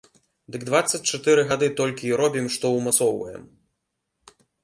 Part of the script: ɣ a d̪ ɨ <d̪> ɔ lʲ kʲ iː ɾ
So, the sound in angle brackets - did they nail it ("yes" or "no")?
no